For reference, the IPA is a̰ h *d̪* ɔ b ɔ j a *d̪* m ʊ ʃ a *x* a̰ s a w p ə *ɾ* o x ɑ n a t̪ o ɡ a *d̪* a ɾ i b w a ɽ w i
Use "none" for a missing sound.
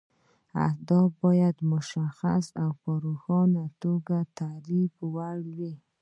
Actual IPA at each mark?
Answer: d̪, d̪, x, ɾ, t̪

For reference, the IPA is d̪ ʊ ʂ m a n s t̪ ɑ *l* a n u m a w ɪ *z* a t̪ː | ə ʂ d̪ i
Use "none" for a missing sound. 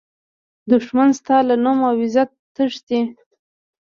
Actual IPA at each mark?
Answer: l, z

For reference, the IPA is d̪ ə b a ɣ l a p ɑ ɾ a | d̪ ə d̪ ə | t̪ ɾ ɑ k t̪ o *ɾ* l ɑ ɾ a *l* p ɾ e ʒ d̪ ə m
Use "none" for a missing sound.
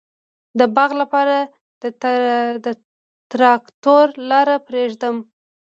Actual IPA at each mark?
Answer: ɾ, none

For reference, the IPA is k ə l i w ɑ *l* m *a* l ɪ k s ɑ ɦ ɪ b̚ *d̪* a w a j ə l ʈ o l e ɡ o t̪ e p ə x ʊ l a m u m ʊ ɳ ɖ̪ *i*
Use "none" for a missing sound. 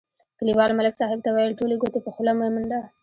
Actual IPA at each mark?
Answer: l, a, t̪, a

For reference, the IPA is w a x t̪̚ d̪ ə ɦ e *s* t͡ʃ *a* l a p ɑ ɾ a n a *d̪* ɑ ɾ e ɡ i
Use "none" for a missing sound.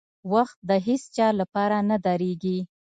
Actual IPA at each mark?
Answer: s, ɑ, d̪

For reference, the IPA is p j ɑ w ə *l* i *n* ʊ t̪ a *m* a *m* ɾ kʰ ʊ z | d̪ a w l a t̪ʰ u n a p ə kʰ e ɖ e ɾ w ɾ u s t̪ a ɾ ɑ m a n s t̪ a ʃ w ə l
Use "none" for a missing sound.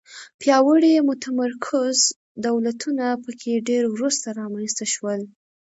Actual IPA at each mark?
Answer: ɽ, m, m, none

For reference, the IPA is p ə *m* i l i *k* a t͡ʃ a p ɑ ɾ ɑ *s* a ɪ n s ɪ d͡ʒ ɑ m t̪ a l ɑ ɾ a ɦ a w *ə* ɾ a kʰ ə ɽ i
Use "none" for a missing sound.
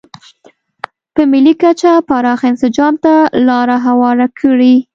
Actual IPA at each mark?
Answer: m, k, x, ɑ

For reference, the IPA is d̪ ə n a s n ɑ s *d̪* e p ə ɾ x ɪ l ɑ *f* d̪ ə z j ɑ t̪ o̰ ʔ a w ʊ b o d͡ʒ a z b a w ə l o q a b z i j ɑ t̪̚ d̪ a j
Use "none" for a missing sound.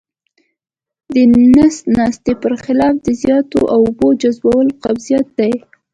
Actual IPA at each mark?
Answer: t̪, f

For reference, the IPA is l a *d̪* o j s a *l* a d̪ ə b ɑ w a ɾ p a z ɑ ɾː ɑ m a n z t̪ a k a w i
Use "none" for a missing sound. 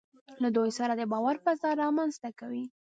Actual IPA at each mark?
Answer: d̪, ɾ

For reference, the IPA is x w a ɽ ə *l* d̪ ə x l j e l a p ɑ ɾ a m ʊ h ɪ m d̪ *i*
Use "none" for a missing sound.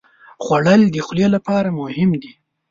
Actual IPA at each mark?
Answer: l, i

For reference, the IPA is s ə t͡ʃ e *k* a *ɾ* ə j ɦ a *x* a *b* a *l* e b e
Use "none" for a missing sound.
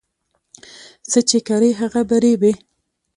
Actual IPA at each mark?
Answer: k, ɾ, ɣ, b, ɾ

